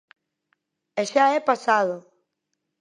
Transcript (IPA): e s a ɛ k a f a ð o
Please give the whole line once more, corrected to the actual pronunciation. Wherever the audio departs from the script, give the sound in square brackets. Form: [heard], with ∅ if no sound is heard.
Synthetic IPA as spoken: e [ʃ] a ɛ [p] a [s] a ð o